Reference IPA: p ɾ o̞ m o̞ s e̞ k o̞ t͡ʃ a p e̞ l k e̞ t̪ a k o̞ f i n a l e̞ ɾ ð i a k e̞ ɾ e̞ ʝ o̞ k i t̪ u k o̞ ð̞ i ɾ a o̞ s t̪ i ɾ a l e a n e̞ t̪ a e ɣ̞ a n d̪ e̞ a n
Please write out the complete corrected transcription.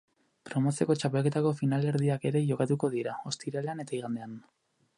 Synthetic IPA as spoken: p ɾ o̞ m o̞ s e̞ k o̞ t͡ʃ a p e̞ l k e̞ t̪ a k o̞ f i n a l e̞ ɾ ð i a k e̞ ɾ e̞ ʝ o̞ k a t̪ u k o̞ ð̞ i ɾ a o̞ s t̪ i ɾ a l e a n e̞ t̪ a i ɣ̞ a n d̪ e̞ a n

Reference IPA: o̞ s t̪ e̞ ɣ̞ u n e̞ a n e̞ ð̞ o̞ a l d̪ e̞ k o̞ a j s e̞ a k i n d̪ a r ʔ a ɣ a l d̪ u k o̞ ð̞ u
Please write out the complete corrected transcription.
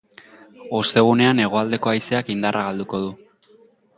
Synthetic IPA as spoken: o̞ s t̪ e̞ ɣ̞ u n e̞ a n e̞ ɣ̞ o̞ a l d̪ e̞ k o̞ a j s e̞ a k i n d̪ a r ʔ a ɣ a l d̪ u k o̞ ð̞ u

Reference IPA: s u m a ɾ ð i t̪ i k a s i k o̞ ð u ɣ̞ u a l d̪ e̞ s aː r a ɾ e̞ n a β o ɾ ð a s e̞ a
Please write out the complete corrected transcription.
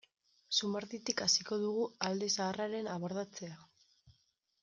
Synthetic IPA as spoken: s u m a ɾ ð i t̪ i k a s i k o̞ ð u ɣ̞ u a l d̪ e̞ s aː r a ɾ e̞ n a β o ɾ ð a t͡s e̞ a

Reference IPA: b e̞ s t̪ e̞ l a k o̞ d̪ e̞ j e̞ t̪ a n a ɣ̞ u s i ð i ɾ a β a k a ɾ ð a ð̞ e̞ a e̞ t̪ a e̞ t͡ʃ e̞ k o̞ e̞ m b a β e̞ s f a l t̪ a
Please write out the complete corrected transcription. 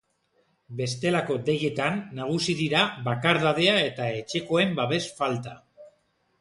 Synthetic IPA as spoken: b e̞ s t̪ e̞ l a k o̞ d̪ e̞ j e̞ t̪ a nː a ɣ̞ u s i ð i ɾ a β a k a ɾ ð a ð̞ e̞ a e̞ t̪ a e̞ t͡ʃ e̞ k o̞ e̞ m b a β e̞ s f a l t̪ a

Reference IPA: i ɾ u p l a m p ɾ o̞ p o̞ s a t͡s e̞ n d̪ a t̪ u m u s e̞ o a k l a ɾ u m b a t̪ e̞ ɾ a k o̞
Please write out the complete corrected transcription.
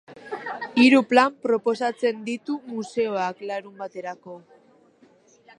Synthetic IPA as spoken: i ɾ u p l a m p ɾ o̞ p o̞ s a t͡s e̞ n d̪ i t̪ u m u s e̞ o a k l a ɾ u m b a t̪ e̞ ɾ a k o̞

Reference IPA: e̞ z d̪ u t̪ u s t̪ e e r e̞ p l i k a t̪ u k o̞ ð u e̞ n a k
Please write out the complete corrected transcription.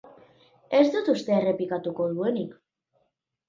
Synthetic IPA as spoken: e̞ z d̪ u t̪ u s t̪ e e r e̞ p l i k a t̪ u k o̞ ð u e̞ n i k

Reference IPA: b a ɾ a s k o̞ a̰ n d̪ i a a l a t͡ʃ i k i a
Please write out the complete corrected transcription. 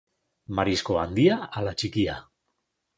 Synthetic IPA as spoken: m a ɾ i s k o̞ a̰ n d̪ i a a l a t͡ʃ i k i a

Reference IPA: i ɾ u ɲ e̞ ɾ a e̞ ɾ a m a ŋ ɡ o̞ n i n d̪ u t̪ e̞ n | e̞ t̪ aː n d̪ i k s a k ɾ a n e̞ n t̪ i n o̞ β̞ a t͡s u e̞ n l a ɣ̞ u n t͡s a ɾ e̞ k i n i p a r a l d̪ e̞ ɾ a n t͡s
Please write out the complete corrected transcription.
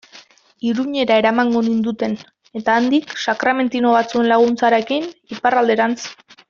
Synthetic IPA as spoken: i ɾ u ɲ e̞ ɾ a e̞ ɾ a m a ŋ ɡ o̞ n i n d̪ u t̪ e̞ n | e̞ t̪ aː n d̪ i k s a k ɾ a m e̞ n t̪ i n o̞ β̞ a t͡s u e̞ n l a ɣ̞ u n t͡s a ɾ e̞ k i n i p a r a l d̪ e̞ ɾ a n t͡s

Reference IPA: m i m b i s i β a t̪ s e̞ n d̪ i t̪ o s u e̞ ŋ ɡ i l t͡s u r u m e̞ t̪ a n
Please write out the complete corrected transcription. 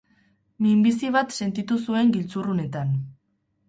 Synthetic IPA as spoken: m i m b i s i β a t̪ s e̞ n t̪ i t̪ u s u e̞ ŋ ɡ i l t͡s u r u n e̞ t̪ a n

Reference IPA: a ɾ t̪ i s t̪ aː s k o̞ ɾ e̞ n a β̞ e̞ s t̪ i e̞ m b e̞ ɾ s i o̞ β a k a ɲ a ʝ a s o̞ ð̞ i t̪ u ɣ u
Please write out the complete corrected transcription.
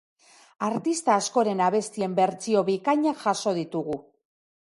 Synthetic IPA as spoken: a ɾ t̪ i s t̪ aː s k o̞ ɾ e̞ n a β̞ e̞ s t̪ i e̞ m b e̞ ɾ t͡s i o̞ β i k a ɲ a ʝ a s o̞ ð̞ i t̪ u ɣ u

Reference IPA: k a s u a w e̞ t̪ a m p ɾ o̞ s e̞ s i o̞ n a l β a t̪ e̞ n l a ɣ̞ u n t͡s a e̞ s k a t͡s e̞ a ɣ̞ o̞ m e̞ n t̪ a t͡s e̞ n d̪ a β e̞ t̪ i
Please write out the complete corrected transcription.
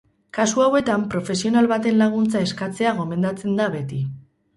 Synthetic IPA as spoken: k a s u a w e̞ t̪ a m p ɾ o̞ f e̞ s i o̞ n a l β a t̪ e̞ n l a ɣ̞ u n t͡s a e̞ s k a t͡s e̞ a ɣ̞ o̞ m e̞ n d̪ a t͡s e̞ n d̪ a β e̞ t̪ i

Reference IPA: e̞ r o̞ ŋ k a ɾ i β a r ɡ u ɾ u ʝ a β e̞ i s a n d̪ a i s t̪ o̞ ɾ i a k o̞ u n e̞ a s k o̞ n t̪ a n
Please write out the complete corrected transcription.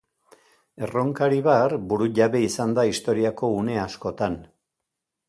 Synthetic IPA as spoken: e̞ r o̞ ŋ k a ɾ i β a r b u ɾ u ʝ a β e̞ i s a n d̪ a i s t̪ o̞ ɾ i a k o̞ u n e̞ a s k o̞ t̪ a n

